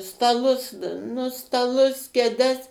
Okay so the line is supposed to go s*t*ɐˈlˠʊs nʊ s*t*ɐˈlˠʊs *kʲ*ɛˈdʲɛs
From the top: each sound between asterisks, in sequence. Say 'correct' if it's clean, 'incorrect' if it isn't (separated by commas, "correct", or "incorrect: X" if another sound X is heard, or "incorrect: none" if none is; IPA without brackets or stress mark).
correct, correct, correct